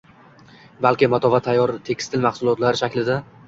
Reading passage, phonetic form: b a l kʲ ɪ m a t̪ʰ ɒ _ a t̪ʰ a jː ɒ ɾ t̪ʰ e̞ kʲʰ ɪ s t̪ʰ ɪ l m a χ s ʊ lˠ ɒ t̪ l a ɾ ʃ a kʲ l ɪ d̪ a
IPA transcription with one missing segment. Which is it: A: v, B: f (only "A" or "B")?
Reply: A